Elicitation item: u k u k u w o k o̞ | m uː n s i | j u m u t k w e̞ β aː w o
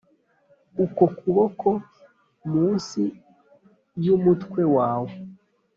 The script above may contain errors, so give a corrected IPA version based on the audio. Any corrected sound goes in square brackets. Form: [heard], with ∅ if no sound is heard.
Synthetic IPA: u k [o] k u [β] o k o̞ | m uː n s i | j u m u t k w e̞ [w] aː w o